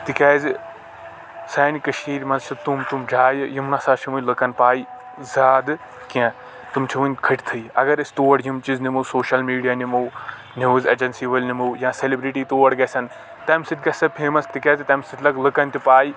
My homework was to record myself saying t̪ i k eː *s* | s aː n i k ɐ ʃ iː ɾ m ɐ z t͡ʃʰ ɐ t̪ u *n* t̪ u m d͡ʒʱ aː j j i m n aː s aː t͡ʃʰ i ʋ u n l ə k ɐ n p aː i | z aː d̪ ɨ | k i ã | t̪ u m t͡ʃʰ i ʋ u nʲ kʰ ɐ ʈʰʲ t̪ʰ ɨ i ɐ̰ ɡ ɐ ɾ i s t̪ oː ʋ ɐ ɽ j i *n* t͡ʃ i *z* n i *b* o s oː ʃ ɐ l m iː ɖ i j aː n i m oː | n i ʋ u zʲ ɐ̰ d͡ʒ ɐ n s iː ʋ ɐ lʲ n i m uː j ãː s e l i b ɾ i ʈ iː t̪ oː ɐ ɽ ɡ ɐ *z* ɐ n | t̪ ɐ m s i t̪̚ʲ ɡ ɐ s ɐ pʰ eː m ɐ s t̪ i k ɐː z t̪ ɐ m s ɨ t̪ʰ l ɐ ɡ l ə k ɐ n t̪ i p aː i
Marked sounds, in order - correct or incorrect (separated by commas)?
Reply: incorrect, incorrect, incorrect, correct, incorrect, incorrect